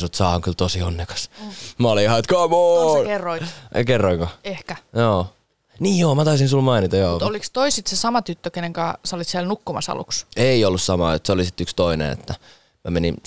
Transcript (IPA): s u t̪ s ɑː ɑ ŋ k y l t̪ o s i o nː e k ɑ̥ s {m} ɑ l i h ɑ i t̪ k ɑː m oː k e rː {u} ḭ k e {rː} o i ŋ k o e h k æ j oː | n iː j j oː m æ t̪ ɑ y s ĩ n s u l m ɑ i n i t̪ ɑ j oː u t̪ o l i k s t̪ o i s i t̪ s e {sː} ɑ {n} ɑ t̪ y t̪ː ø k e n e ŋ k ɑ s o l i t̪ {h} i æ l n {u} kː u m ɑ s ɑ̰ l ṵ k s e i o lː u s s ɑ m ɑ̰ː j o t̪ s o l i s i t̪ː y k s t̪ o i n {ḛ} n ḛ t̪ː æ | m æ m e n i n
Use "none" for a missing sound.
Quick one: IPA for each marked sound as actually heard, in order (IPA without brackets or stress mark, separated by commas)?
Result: m, o, rː, s, m, s, u, ḛ